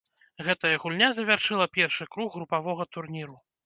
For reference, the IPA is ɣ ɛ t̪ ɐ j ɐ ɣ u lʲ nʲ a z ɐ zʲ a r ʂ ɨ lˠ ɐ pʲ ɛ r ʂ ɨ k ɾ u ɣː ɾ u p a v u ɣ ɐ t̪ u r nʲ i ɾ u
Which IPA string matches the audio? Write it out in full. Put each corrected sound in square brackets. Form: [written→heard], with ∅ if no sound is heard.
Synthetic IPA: ɣ ɛ t̪ ɐ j ɐ ɣ u lʲ nʲ a z ɐ [zʲ→vʲ] a r ʂ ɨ lˠ ɐ pʲ ɛ r ʂ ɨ k ɾ u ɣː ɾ u p a v [u→ɔ] ɣ ɐ t̪ u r nʲ i ɾ u